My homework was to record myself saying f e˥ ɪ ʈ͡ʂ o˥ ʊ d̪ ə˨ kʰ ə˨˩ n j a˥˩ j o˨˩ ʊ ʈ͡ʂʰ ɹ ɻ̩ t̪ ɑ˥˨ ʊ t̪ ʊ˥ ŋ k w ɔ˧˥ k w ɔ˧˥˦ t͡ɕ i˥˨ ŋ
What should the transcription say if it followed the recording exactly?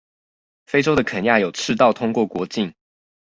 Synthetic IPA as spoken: f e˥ ɪ ʈ͡ʂ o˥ ʊ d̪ ə˨ kʰ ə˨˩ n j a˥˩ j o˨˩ ʊ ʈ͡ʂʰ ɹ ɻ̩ t̪ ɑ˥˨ ʊ t̪ʰ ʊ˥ ŋ k w ɔ˥˩ k w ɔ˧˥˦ t͡ɕ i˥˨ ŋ